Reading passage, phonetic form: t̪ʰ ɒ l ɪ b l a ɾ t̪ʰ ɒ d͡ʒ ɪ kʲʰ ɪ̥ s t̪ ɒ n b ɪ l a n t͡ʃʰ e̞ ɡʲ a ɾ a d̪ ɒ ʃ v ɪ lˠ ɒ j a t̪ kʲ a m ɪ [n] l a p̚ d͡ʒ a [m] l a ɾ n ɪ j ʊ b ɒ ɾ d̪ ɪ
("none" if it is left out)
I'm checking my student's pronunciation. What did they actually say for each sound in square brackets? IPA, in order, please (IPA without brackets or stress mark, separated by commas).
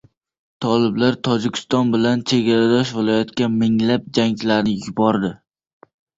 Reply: ŋ, ŋ